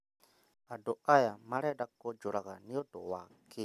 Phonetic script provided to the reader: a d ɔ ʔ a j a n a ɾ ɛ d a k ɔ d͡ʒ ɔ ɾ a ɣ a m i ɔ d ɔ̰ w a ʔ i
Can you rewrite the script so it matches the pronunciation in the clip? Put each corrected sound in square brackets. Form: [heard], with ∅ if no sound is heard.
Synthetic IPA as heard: a d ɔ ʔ a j a [m] a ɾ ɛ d a k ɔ d͡ʒ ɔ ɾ a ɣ a [n] i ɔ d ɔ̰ w a [k] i